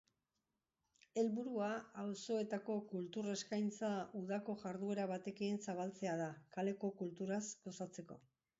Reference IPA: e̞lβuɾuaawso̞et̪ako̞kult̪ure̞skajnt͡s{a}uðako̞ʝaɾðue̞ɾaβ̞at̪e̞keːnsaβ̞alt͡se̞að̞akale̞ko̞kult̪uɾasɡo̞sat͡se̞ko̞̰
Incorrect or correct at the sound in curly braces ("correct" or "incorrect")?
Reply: correct